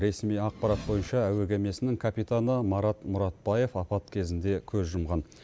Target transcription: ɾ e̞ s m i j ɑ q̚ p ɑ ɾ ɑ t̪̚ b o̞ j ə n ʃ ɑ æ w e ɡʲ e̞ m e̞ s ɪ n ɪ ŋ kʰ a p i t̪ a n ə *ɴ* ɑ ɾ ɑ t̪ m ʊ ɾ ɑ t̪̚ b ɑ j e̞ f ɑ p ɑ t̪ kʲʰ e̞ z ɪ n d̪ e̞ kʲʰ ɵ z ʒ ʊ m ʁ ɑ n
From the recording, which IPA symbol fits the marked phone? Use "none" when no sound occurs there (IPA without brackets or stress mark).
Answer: m